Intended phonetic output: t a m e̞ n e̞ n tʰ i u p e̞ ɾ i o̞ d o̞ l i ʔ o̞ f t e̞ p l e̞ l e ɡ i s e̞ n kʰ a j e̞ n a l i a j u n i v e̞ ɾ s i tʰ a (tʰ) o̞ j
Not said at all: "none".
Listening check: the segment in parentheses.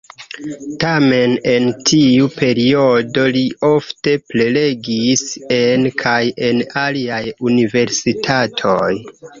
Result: tʰ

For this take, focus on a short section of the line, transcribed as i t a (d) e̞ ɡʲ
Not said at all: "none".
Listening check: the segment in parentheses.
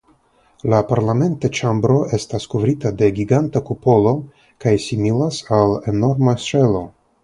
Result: d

